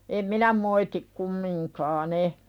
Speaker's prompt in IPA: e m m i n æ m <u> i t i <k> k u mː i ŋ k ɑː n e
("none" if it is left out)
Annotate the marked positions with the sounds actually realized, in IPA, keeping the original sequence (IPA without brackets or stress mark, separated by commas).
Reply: o, k